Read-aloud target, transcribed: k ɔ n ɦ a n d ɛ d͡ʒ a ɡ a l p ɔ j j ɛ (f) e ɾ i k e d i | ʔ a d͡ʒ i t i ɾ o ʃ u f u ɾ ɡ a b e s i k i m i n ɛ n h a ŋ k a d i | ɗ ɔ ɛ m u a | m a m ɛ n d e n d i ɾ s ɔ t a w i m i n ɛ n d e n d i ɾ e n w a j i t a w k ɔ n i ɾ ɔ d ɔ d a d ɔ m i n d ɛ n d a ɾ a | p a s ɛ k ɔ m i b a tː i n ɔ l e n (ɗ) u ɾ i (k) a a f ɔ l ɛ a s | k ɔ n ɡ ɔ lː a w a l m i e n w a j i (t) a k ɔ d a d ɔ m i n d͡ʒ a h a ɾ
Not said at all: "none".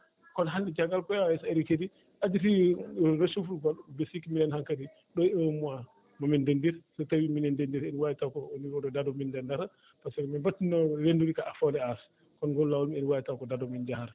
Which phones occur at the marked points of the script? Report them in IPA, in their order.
s, d, k, t

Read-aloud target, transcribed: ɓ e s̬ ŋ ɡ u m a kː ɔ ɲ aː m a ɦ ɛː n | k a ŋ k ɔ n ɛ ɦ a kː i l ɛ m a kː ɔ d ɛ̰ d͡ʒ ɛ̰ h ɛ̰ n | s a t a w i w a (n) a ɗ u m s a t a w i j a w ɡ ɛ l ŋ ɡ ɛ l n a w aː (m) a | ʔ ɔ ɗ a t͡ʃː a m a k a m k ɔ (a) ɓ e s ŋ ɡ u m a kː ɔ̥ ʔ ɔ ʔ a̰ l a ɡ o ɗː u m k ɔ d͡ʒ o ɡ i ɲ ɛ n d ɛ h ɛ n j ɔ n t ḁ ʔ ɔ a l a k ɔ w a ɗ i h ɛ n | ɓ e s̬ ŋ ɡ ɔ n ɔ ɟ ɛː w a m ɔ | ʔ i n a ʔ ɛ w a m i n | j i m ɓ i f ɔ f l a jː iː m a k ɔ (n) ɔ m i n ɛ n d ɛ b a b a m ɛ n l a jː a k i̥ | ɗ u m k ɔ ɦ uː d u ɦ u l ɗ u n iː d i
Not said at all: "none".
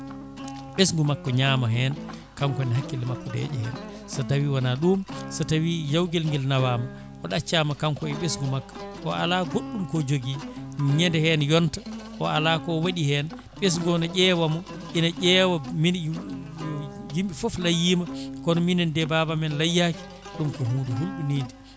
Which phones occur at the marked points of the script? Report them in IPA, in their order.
n, m, ɛ, n

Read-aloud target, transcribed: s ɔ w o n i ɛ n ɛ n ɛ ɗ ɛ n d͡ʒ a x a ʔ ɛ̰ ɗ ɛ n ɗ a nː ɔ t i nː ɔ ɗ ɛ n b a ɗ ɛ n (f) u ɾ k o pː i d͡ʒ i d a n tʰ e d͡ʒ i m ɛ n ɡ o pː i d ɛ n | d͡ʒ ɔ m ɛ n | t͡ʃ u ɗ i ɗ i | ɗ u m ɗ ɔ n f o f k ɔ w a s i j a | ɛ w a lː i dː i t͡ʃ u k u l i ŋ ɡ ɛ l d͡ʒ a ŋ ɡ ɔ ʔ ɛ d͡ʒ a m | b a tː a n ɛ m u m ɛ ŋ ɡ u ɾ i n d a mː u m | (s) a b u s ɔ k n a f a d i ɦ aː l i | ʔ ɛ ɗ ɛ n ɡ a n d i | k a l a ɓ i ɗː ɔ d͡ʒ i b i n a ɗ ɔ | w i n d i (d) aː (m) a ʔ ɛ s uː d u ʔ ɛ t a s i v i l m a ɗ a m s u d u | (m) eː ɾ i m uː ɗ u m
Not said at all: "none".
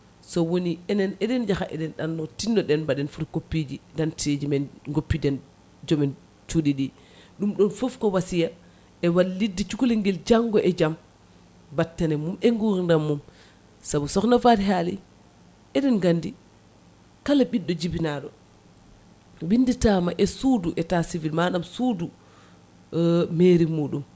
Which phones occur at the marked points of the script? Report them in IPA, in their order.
f, s, t, m, m

